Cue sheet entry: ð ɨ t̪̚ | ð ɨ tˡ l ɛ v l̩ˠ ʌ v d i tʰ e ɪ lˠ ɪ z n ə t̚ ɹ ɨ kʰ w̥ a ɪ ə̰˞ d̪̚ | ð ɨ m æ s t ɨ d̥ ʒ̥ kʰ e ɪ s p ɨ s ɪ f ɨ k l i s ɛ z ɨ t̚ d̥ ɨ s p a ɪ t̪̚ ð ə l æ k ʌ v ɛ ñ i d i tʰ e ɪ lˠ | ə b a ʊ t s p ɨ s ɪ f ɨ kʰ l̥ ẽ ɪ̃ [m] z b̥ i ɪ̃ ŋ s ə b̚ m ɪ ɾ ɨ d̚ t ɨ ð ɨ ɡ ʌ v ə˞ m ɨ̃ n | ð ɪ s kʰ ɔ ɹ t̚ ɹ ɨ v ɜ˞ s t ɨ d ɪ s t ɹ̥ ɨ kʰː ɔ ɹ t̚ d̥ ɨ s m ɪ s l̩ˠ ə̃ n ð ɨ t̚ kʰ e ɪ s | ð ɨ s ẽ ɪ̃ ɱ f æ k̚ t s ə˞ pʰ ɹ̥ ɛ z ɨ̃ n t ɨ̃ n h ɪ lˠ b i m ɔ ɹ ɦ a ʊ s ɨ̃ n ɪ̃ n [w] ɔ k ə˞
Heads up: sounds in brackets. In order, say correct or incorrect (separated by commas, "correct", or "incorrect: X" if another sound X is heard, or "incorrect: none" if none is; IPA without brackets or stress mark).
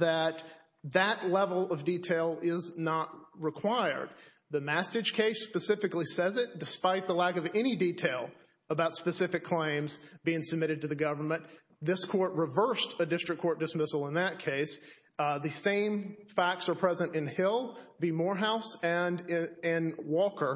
correct, correct